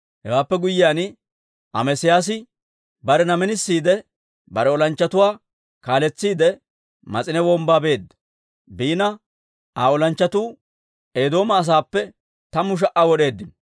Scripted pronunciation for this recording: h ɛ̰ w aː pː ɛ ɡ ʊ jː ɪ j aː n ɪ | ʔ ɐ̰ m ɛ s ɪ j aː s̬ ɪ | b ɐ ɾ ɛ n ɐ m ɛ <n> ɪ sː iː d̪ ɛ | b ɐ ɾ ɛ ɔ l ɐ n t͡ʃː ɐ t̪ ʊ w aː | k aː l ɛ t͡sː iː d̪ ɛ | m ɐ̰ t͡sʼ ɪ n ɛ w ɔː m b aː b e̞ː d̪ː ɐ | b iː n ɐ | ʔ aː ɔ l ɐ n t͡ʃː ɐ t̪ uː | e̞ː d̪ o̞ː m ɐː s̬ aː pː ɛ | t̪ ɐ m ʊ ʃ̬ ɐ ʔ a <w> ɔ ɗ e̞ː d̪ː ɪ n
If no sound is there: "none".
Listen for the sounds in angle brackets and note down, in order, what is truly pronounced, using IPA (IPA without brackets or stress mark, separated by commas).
n, w